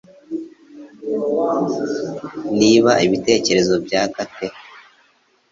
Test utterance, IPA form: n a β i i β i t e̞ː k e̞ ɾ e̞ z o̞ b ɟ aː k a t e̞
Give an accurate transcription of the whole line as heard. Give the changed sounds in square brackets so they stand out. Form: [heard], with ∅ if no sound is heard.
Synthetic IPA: n [i] β [a] i β i t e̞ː [c] e̞ ɾ e̞ z o̞ b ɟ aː k a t e̞